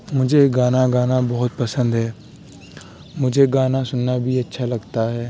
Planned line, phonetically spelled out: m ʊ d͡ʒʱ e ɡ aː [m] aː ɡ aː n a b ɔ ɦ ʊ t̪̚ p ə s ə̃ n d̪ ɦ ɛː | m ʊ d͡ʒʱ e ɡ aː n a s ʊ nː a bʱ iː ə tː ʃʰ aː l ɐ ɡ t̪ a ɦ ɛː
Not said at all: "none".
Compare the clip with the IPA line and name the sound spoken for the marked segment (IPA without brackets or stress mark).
n